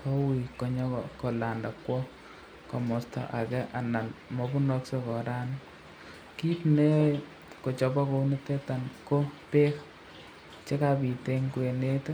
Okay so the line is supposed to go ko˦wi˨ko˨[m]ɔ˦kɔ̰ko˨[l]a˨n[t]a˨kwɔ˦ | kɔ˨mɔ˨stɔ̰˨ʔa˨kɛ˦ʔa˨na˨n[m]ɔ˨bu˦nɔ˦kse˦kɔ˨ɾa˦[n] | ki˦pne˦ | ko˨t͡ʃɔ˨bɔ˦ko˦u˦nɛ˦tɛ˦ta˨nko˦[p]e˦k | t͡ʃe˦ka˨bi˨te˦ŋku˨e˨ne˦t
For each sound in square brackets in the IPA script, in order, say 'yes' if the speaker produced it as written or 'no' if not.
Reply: no, yes, no, yes, yes, yes

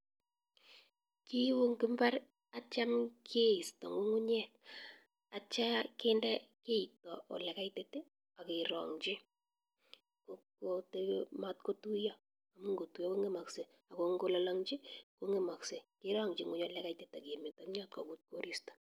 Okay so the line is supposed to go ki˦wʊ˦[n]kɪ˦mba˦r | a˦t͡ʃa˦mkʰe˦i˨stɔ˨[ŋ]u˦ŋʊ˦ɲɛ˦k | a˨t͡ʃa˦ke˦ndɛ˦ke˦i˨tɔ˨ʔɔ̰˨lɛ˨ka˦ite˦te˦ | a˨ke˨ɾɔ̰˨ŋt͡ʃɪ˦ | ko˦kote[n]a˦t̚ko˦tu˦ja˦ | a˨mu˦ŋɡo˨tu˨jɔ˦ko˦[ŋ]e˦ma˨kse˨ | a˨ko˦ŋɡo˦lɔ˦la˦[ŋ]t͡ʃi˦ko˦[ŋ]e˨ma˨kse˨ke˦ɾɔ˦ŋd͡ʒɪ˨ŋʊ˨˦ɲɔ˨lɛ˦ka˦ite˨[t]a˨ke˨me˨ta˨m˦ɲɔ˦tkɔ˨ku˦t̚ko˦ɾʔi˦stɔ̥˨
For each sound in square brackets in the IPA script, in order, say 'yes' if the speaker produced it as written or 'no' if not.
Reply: no, yes, no, yes, yes, yes, yes

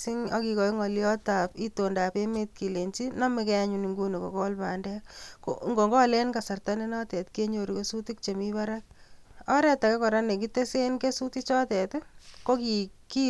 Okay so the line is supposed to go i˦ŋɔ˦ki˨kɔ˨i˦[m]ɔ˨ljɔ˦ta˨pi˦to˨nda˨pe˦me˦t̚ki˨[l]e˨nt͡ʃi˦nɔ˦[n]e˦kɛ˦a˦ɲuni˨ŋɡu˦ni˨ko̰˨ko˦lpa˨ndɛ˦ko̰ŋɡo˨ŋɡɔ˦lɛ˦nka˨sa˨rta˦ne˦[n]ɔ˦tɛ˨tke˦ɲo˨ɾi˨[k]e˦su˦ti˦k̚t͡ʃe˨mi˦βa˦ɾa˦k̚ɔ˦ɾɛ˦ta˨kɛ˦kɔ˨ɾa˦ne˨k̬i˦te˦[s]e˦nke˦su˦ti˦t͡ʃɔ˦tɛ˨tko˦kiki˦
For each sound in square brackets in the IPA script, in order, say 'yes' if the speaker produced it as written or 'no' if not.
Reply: no, yes, no, yes, yes, yes

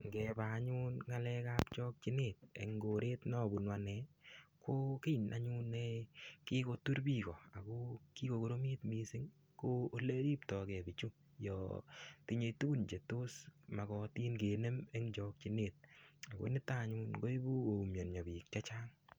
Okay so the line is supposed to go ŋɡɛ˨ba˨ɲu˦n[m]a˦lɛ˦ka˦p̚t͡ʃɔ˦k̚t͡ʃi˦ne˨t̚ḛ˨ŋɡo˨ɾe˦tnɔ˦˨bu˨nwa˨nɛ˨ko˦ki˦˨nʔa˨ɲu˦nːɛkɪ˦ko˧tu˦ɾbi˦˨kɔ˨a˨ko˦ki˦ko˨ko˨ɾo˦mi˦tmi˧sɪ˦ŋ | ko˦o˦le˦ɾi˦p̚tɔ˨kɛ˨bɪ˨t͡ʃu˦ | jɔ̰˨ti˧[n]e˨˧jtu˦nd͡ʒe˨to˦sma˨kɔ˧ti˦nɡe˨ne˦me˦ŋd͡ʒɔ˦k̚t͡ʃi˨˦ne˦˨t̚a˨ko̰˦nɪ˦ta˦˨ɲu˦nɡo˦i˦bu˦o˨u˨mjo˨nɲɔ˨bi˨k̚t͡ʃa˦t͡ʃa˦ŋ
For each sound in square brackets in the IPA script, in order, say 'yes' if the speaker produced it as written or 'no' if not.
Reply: no, no

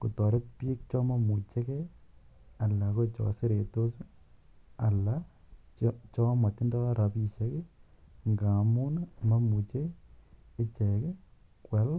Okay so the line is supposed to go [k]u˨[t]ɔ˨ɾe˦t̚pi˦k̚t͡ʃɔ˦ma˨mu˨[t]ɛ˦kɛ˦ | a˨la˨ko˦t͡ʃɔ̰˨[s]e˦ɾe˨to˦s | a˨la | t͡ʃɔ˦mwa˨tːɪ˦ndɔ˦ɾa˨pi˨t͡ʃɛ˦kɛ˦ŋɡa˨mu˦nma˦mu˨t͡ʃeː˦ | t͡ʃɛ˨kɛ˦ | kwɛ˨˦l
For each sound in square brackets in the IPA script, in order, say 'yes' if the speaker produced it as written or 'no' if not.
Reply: yes, yes, no, yes

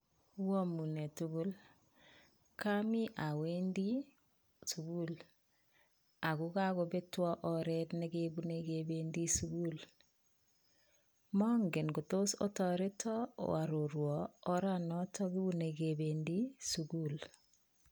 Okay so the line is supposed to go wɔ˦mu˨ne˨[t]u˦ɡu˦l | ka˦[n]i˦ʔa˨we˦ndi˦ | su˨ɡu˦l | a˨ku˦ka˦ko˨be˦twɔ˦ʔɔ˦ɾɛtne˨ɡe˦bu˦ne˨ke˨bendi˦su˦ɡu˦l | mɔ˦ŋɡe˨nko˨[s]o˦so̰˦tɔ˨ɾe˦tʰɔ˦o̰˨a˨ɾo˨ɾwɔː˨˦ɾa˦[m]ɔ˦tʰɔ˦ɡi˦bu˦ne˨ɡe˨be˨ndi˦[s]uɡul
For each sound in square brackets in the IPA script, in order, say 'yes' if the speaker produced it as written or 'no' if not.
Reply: yes, no, no, no, yes

